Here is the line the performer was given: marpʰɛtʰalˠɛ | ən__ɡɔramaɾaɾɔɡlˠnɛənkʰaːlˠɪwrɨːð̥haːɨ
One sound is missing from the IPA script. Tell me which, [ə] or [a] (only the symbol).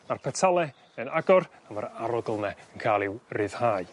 a